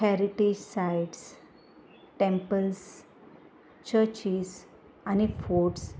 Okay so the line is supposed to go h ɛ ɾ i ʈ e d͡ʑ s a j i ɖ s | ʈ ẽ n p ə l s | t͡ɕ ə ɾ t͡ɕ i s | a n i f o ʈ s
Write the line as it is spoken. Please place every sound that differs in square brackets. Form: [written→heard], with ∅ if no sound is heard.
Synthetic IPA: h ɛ ɾ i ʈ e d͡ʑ s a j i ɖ s | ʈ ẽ [n→m] p ə l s | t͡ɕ ə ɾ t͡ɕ i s | a n i f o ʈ s